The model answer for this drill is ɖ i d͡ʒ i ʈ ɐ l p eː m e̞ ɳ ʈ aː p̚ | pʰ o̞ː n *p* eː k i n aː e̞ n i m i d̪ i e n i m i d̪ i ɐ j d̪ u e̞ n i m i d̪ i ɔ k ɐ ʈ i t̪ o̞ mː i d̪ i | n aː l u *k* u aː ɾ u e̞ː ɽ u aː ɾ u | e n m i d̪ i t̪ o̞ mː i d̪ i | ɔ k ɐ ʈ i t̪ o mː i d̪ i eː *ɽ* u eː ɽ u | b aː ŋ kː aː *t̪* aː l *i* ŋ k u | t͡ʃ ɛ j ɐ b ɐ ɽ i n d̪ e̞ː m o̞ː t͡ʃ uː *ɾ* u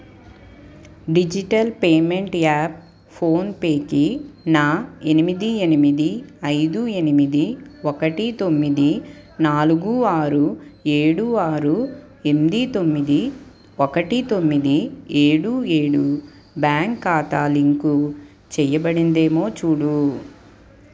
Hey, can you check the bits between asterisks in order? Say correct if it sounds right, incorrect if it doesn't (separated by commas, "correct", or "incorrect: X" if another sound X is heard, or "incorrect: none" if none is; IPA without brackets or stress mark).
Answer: correct, incorrect: ɡ, correct, correct, correct, incorrect: ɽ